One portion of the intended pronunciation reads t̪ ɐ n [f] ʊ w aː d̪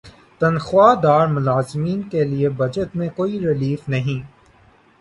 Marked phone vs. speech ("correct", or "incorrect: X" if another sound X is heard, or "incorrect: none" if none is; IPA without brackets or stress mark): incorrect: x